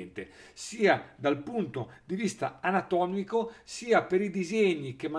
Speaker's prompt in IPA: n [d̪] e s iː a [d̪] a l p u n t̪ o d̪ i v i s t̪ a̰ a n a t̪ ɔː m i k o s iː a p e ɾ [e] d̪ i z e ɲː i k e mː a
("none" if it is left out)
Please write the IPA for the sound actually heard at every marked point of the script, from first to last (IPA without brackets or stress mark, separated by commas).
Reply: t̪, d̪, i